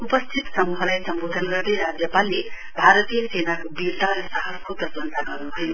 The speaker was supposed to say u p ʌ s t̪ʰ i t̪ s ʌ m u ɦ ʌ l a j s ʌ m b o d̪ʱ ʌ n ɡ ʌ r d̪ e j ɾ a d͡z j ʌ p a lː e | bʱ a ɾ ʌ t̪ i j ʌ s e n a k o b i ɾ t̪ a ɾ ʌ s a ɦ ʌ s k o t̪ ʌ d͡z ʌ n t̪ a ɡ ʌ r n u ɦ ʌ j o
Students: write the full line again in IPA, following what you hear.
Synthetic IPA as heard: u p ʌ s t̪ʰ i t̪ s ʌ m u ɦ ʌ l a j s ʌ m b o d̪ʱ ʌ n ɡ ʌ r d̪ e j ɾ a d͡z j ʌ p a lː e | bʱ a ɾ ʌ t̪ i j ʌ s e n a k o b i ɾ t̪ a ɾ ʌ s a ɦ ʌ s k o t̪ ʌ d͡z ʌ n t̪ a ɡ ʌ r n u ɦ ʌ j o